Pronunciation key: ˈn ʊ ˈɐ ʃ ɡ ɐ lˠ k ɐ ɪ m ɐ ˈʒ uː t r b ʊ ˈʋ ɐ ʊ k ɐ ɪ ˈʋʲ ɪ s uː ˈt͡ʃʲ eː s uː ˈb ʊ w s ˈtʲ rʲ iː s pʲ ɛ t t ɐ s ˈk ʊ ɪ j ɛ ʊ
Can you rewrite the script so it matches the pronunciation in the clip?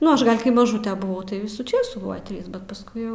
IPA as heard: ˈn ʊ ˈɐ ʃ ɡ ɐ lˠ k ɐ ɪ m ɐ ˈʒ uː t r b ʊ ˈʋ ɐ ʊ t ɐ ɪ ˈʋʲ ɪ s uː ˈt͡ʃʲ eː s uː ˈb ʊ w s ˈtʲ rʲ iː s bʲ ɛ t p ɐ s ˈk ʊ ɪ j ɛ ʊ